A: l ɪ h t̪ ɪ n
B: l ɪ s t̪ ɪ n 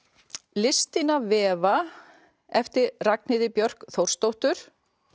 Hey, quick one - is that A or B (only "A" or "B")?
B